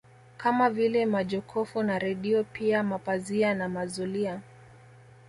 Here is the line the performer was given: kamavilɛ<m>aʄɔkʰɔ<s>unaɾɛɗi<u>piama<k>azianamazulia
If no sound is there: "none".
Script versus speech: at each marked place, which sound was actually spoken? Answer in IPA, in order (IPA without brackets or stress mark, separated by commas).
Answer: m, f, ɔ, p